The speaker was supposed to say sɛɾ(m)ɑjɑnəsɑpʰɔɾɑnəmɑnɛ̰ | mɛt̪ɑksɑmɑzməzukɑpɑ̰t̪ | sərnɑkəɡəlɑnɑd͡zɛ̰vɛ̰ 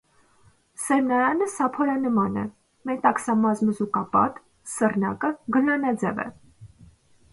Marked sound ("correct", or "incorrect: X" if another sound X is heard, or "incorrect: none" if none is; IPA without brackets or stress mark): incorrect: n